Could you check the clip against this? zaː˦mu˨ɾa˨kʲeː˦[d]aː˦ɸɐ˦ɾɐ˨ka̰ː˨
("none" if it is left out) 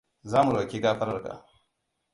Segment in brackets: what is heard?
ɡ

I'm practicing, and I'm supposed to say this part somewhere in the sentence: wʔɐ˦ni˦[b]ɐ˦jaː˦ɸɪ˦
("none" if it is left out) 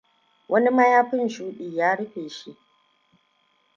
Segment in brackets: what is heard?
m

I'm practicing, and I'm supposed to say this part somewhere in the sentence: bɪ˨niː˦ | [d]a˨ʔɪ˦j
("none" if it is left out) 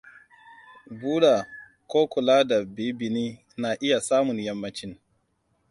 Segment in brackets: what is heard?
n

